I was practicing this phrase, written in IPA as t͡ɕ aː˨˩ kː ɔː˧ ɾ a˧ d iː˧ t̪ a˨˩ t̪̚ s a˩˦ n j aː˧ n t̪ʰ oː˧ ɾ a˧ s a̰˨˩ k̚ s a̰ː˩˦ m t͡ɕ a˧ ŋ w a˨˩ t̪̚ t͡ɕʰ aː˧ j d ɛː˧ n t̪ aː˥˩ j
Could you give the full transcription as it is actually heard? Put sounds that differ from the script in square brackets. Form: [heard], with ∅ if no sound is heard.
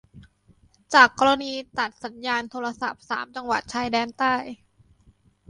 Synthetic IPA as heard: t͡ɕ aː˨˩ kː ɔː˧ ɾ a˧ [n] iː˧ t̪ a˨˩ t̪̚ s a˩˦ n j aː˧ n t̪ʰ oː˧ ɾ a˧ s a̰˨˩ [p̚] s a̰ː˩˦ m t͡ɕ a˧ ŋ w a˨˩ t̪̚ t͡ɕʰ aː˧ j d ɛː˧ n t̪ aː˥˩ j